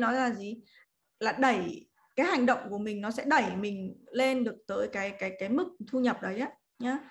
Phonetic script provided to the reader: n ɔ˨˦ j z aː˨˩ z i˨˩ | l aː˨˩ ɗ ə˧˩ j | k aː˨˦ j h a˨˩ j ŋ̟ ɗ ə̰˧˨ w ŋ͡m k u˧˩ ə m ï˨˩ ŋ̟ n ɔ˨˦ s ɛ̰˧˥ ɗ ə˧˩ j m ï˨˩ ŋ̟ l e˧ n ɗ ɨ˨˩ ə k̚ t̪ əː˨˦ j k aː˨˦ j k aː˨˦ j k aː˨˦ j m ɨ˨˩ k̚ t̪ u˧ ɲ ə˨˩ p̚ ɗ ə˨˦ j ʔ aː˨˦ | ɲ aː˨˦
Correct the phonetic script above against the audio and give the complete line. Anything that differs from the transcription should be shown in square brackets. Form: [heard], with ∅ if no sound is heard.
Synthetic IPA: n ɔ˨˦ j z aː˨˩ z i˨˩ | l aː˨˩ ɗ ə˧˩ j | k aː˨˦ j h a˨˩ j ŋ̟ ɗ ə̰˧˨ w ŋ͡m k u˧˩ ə m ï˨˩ ŋ̟ n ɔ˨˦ s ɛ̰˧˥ ɗ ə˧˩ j m ï˨˩ ŋ̟ l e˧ n ɗ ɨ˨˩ ə k̚ t̪ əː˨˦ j k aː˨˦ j k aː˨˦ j k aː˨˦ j m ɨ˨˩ k̚ [t̪ʰ] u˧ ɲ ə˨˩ p̚ ɗ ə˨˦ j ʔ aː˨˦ | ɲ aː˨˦